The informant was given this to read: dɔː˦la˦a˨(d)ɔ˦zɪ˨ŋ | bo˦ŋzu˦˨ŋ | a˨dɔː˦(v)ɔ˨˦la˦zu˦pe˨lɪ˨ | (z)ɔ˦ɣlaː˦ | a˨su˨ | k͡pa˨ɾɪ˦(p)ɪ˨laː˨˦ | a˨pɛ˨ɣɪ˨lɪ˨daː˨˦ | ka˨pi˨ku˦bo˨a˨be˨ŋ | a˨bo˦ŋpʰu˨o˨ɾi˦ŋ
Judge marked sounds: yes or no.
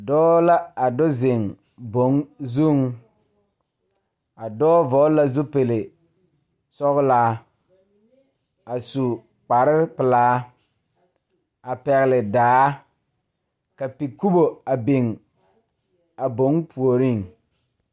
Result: yes, yes, no, yes

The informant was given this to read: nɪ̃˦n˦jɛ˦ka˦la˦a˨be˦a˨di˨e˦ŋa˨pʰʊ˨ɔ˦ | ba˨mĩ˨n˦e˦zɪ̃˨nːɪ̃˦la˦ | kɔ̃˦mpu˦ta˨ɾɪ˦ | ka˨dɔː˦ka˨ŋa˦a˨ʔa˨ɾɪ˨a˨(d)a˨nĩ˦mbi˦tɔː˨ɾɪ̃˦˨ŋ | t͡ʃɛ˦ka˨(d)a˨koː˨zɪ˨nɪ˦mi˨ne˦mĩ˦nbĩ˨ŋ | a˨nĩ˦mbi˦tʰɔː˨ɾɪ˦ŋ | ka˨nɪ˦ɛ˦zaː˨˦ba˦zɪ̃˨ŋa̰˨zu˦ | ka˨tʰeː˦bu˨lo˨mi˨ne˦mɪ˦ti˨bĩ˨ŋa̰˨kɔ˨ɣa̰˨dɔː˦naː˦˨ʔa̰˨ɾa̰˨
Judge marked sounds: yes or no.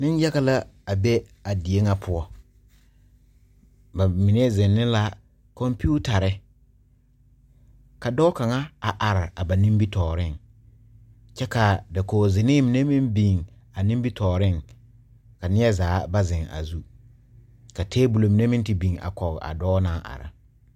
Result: no, yes

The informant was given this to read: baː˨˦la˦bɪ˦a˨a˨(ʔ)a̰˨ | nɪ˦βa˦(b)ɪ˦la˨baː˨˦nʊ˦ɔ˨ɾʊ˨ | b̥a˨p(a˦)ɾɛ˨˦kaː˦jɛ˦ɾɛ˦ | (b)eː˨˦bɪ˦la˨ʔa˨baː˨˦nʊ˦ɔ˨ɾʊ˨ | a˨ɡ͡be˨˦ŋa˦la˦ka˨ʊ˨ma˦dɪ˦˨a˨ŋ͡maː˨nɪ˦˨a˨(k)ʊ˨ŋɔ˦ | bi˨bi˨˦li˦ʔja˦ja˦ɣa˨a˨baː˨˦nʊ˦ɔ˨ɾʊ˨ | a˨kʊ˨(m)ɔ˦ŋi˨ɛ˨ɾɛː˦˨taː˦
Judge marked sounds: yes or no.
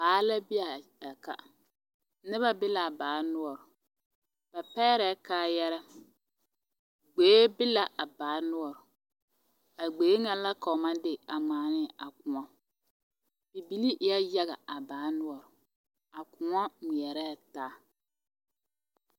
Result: no, yes, no, no, yes, no

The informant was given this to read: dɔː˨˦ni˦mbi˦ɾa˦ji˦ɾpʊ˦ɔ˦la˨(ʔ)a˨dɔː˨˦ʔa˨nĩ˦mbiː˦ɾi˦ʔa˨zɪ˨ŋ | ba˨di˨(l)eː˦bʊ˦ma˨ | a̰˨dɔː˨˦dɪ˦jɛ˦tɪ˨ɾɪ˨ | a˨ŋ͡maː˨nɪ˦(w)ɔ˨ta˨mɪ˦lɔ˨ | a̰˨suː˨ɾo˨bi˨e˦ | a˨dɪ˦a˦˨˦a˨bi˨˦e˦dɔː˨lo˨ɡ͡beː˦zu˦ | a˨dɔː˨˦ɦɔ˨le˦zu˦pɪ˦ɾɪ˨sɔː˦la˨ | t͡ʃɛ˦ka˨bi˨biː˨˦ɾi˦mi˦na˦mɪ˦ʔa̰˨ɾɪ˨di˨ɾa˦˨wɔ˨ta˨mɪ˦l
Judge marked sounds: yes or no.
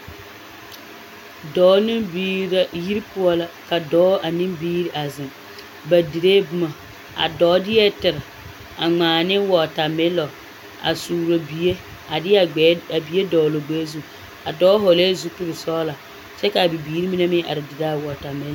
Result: no, no, yes

